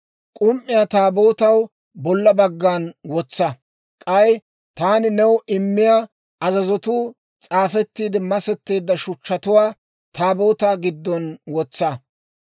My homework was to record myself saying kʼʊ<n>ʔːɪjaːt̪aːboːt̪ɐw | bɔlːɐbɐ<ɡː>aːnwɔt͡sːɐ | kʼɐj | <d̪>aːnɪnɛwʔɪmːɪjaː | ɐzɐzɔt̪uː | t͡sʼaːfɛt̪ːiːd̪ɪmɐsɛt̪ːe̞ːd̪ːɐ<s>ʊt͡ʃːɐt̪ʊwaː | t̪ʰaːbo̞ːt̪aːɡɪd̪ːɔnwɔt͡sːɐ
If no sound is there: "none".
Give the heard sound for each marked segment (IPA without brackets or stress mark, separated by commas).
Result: m, ɡː, t̪, ʃ